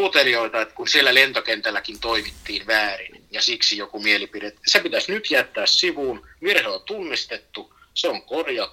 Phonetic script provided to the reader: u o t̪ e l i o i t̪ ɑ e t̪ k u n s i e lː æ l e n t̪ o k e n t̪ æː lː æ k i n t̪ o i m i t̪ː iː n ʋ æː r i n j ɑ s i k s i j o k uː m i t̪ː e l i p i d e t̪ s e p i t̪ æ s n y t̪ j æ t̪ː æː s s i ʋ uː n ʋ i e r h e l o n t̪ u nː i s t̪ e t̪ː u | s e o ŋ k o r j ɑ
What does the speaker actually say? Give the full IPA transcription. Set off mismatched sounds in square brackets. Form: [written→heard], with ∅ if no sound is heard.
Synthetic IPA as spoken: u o t̪ e l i o i t̪ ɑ e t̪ k u n s i e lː æ l e n t̪ o k e n t̪ [æː→æ] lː æ k i n t̪ o i m i t̪ː iː n ʋ æː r i n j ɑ s i k s i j o k [uː→u] m i [t̪ː→∅] e l i p i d e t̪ s e p i t̪ æ s n y t̪ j æ t̪ː æː s s i ʋ uː n ʋ i e r h e l o n t̪ u nː i s t̪ e t̪ː u | s e o ŋ k o r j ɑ